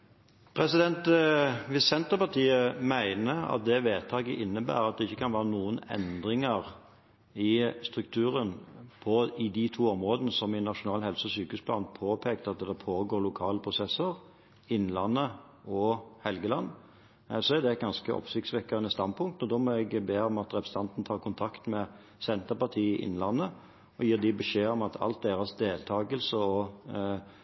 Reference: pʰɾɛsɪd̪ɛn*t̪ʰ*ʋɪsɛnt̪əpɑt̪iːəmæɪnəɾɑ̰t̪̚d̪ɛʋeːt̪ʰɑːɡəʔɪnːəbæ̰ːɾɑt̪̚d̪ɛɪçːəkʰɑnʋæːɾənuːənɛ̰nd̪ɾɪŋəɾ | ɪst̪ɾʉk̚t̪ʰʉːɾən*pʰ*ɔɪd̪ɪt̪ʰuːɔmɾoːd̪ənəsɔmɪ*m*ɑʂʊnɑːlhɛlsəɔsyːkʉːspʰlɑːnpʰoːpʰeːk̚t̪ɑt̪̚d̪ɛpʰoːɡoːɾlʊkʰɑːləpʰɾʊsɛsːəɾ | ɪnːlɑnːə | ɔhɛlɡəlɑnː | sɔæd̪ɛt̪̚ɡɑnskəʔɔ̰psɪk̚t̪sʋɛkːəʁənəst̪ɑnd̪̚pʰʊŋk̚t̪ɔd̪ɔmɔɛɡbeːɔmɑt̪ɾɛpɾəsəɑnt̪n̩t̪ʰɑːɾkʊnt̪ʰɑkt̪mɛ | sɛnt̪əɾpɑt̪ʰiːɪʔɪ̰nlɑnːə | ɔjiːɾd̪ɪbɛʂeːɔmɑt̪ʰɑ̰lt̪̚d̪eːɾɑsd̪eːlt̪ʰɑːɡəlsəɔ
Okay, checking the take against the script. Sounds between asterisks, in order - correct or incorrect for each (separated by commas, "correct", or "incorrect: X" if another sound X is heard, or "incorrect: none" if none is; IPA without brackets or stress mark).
incorrect: t̪, correct, incorrect: n